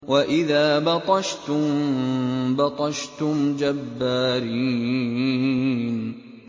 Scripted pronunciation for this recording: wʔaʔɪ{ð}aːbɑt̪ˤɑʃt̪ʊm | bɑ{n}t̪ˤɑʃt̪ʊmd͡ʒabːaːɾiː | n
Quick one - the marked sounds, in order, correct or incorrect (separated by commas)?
correct, incorrect